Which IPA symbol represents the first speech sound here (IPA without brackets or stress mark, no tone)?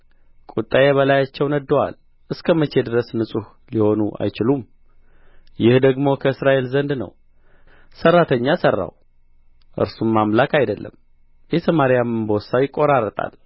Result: kʼ